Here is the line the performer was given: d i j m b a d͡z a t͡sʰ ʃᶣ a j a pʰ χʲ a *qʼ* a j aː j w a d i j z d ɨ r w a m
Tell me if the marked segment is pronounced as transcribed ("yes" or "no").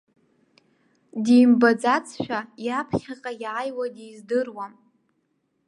yes